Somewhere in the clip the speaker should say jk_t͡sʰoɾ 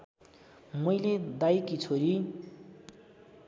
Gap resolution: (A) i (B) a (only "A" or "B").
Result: A